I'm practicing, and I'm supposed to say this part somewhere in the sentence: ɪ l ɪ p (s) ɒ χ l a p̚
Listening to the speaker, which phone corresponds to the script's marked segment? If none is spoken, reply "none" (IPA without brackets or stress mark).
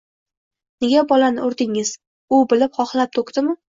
χ